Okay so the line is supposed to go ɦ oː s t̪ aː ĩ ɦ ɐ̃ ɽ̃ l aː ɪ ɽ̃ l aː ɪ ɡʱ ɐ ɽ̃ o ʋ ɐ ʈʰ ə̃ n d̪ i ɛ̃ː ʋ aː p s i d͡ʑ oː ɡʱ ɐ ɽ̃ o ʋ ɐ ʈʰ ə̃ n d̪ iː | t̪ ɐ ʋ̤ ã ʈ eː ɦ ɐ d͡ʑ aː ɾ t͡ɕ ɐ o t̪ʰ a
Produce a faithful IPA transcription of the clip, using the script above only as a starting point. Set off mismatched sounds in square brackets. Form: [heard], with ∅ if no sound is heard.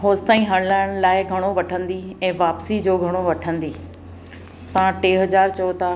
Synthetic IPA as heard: ɦ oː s t̪ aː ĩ ɦ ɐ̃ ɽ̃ l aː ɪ ɽ̃ l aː ɪ ɡʱ ɐ ɽ̃ o ʋ ɐ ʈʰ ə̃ n d̪ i ɛ̃ː ʋ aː p s i d͡ʑ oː ɡʱ ɐ ɽ̃ o ʋ ɐ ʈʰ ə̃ n d̪ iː | t̪ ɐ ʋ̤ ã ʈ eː ɦ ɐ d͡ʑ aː ɾ t͡ɕ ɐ o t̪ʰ a

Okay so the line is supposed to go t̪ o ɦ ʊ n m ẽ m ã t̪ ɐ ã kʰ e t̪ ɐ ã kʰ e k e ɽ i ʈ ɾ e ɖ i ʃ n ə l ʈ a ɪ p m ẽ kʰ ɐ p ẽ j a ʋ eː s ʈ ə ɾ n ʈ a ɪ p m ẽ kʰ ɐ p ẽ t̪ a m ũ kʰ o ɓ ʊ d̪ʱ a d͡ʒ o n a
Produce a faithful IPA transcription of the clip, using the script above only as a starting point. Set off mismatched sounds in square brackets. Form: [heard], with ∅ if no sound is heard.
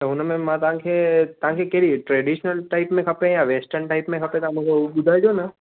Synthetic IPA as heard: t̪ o ɦ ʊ n m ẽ m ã t̪ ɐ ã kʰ e t̪ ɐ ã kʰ e k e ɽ i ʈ ɾ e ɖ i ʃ n ə l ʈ a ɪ p m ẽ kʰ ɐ p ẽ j a ʋ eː s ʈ ə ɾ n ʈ a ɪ p m ẽ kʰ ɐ p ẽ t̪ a m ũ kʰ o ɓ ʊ d̪ʱ a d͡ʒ o n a

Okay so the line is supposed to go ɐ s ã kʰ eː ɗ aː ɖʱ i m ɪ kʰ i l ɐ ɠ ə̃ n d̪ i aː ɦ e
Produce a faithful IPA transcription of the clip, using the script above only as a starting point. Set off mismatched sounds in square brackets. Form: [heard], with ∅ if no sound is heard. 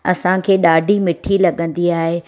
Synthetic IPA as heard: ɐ s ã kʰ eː ɗ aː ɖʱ i m ɪ [ʈʰ] i l ɐ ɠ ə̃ n d̪ i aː ɦ e

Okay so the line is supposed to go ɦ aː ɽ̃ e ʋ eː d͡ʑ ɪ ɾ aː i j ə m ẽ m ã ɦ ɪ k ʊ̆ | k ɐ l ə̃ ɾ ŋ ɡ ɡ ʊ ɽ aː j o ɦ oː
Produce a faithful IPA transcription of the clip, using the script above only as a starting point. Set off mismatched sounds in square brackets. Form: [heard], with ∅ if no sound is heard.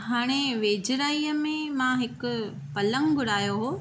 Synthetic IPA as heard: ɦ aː ɽ̃ e ʋ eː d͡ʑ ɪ ɾ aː i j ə m ẽ m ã ɦ ɪ k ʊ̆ | [p] ɐ l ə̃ [∅] ŋ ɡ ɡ ʊ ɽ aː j o ɦ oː

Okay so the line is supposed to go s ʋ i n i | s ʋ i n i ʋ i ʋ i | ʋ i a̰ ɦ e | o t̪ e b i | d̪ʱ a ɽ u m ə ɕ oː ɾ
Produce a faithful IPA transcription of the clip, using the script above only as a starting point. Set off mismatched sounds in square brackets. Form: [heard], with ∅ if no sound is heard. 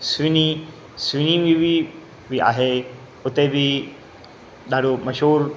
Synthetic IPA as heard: s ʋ i n i | s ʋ i n i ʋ i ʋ i | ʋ i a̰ ɦ e | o t̪ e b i | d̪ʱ a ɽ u m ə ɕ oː ɾ

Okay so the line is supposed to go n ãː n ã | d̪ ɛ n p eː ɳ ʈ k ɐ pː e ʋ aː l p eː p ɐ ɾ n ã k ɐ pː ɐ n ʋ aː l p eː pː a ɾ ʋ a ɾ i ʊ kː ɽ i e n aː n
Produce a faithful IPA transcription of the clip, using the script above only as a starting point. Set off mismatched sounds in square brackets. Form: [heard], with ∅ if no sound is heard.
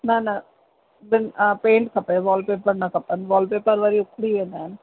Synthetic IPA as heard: n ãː n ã | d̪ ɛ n p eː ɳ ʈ k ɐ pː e ʋ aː l p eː p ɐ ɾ n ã k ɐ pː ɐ n ʋ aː l p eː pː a ɾ ʋ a ɾ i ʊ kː ɽ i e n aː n

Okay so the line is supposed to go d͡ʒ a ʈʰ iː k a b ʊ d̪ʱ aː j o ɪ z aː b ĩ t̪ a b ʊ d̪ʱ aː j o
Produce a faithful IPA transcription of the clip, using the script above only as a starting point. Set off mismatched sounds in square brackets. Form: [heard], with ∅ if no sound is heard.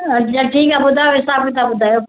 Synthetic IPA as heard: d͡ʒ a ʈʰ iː k a b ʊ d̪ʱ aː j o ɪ [s] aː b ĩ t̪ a b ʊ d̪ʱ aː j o

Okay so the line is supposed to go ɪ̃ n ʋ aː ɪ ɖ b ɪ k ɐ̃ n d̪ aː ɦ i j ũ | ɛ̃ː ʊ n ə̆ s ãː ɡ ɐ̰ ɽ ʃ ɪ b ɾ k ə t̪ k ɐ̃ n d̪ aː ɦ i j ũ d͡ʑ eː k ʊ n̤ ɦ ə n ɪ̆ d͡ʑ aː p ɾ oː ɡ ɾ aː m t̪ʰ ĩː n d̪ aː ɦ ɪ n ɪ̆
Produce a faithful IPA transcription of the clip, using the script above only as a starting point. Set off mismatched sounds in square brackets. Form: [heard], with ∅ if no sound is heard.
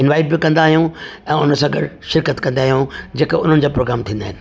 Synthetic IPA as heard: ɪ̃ n ʋ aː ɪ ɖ b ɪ k ɐ̃ n d̪ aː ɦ i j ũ | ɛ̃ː ʊ n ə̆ s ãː ɡ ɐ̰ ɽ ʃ ɪ [∅] ɾ k ə t̪ k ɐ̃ n d̪ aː ɦ i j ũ d͡ʑ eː k ʊ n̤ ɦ ə n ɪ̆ d͡ʑ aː p ɾ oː ɡ ɾ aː m t̪ʰ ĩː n d̪ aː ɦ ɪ n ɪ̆

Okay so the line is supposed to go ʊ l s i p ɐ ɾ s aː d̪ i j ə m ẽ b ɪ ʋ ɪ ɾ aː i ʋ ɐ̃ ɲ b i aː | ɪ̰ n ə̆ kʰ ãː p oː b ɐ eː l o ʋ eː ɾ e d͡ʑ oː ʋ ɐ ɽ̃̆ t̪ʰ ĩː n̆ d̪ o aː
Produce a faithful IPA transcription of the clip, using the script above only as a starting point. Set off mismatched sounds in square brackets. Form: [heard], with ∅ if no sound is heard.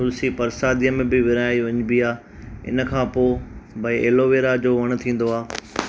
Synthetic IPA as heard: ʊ l s i p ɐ ɾ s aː d̪ i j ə m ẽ b ɪ ʋ ɪ ɾ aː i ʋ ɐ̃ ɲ b i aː | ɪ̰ n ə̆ kʰ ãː p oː b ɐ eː l o ʋ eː ɾ [a] d͡ʑ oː ʋ ɐ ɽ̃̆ t̪ʰ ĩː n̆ d̪ o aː

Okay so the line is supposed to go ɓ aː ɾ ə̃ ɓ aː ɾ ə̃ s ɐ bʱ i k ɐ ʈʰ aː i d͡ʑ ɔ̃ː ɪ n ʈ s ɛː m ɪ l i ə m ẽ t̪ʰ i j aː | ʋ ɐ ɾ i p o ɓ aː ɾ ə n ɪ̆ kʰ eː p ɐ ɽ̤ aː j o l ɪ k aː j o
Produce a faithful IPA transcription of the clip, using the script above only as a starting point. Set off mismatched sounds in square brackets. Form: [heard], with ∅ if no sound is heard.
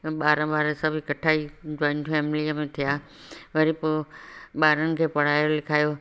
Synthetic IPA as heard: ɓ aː ɾ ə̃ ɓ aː ɾ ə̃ s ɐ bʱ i k ɐ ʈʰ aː i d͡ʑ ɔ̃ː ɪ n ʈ [f] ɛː m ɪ l i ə m ẽ t̪ʰ i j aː | ʋ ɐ ɾ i p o ɓ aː ɾ ə n ɪ̆ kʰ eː p ɐ ɽ̤ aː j o l ɪ [kʰ] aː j o

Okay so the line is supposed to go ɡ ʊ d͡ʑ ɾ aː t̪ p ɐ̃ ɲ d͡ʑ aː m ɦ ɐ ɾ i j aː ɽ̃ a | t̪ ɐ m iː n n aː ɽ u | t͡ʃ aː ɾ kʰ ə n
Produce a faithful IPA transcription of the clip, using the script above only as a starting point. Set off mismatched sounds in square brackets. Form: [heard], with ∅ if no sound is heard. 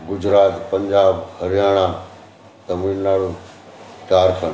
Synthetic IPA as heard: ɡ ʊ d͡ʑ ɾ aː t̪ p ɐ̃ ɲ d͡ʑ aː [b] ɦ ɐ ɾ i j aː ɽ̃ a | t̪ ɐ m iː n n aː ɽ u | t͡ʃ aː ɾ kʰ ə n

